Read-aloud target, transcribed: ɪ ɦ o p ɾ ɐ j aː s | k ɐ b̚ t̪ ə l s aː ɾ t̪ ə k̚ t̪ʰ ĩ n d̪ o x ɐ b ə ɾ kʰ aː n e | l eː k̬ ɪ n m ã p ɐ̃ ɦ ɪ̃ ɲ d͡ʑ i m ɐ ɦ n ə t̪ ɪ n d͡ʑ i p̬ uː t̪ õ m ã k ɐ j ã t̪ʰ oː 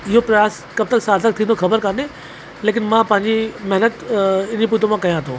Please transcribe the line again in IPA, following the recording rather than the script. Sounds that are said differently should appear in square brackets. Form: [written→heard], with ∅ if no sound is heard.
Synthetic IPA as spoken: ɪ ɦ o p ɾ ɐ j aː s | k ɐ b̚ t̪ ə l s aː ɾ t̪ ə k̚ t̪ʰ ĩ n d̪ o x ɐ b ə ɾ [kʰ→k] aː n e | l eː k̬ ɪ n m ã p ɐ̃ ɦ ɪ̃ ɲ d͡ʑ i m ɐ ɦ n ə t̪ ɪ n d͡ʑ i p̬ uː t̪ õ m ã k ɐ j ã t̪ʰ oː